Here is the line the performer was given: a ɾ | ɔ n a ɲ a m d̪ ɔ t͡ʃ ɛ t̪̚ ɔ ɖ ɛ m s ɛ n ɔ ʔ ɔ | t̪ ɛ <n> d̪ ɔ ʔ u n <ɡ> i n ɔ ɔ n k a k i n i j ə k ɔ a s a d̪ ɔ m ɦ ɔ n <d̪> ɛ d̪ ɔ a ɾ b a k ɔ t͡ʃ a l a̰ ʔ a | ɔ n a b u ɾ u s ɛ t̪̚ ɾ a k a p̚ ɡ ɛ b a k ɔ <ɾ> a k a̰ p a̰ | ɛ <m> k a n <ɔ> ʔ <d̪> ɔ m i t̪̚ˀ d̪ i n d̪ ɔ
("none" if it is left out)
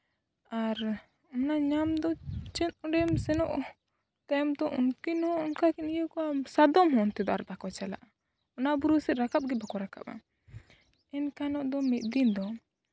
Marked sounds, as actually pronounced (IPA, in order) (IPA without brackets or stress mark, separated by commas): m, k, t̪, ɾ, n, ɔ, d̪